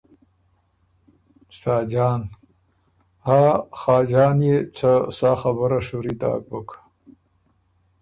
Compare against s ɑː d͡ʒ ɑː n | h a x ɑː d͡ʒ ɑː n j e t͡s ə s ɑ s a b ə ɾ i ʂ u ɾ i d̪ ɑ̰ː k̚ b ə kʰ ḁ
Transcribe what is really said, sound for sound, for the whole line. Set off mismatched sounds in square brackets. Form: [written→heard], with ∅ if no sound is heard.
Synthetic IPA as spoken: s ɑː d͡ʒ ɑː n | h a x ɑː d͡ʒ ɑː n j e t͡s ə s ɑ [s→x] a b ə ɾ [i→a] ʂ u ɾ i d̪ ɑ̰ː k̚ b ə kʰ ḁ